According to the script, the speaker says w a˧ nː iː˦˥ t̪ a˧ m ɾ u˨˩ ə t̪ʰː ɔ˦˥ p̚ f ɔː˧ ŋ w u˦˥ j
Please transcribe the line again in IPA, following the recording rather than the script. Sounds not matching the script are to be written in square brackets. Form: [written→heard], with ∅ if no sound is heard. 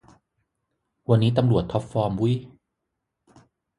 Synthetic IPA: w a˧ nː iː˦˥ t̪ a˧ m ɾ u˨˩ ə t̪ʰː ɔ˦˥ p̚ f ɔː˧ [ŋ→m] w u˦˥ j